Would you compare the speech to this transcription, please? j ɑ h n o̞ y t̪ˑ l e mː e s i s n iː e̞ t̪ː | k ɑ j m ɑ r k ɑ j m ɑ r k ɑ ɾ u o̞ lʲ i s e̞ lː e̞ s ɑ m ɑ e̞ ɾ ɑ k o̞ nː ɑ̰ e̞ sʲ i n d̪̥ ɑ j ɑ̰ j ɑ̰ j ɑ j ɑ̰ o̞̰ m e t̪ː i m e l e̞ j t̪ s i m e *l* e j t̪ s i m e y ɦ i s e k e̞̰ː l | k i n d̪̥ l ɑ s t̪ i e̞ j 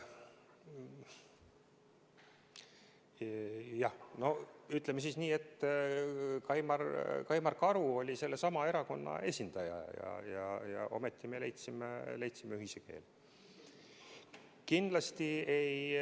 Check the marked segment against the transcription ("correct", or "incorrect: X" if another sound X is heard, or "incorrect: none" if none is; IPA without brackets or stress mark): correct